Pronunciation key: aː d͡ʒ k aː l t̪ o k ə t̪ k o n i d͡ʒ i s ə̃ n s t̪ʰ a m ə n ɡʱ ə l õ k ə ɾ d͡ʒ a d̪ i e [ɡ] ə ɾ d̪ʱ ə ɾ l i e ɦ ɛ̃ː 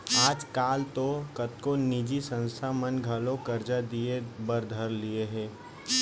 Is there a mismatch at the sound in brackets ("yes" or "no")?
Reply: yes